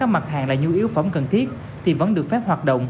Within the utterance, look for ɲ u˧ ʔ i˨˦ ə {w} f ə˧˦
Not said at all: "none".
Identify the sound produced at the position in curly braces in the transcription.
w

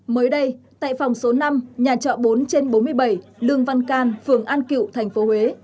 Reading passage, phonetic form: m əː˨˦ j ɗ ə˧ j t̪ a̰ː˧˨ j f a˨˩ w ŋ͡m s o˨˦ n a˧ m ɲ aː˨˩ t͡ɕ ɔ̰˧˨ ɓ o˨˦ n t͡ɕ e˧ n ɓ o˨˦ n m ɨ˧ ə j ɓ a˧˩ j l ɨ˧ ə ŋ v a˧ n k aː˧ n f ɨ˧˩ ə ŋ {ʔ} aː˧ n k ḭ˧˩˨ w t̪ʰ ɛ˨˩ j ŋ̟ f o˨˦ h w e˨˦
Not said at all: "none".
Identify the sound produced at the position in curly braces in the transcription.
ʔ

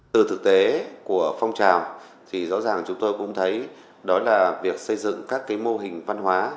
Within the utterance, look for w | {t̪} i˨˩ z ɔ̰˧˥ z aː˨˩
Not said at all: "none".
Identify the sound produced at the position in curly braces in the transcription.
t̪ʰ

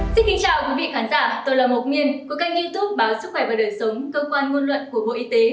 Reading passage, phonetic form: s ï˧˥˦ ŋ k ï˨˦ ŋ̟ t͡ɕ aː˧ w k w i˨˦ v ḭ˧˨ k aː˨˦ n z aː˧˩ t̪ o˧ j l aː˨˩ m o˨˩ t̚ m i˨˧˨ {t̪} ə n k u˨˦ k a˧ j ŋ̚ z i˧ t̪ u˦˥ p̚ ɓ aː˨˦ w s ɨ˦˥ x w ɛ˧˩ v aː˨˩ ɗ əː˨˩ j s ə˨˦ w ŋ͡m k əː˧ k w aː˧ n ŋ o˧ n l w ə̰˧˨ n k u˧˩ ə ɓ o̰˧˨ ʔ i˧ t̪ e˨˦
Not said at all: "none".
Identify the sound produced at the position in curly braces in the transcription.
none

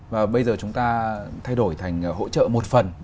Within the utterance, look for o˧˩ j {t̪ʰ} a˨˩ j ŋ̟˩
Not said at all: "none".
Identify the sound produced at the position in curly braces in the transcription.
t̪ʰ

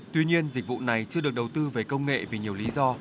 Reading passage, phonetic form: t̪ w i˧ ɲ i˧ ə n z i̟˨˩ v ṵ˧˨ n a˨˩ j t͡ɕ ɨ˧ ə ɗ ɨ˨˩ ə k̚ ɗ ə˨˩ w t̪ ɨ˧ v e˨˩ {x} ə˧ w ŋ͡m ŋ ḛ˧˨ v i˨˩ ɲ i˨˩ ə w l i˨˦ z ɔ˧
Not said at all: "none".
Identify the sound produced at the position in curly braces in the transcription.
k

